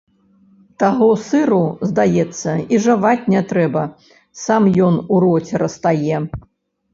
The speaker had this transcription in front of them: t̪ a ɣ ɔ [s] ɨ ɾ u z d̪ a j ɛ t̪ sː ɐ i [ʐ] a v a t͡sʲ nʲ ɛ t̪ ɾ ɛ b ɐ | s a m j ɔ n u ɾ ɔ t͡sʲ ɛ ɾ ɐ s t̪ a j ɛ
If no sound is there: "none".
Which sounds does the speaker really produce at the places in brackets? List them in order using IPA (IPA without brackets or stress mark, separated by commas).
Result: s, ʐ